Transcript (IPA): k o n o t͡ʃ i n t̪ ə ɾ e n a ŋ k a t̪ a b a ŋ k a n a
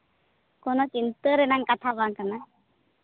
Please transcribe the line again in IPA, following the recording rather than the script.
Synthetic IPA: k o n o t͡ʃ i n t̪ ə ɾ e n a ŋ k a t̪ʰ a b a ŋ k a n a